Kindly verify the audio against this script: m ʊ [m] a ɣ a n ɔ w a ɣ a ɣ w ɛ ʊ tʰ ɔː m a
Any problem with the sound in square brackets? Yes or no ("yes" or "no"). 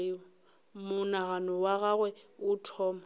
yes